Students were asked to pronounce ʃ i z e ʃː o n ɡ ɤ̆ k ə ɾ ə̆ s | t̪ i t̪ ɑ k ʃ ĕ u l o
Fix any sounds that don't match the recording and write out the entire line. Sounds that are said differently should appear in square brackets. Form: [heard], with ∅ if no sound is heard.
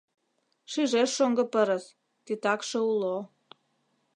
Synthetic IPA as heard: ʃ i [ʒ] e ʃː o [ŋ] ɡ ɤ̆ [p] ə ɾ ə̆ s | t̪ i t̪ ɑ k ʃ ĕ u l o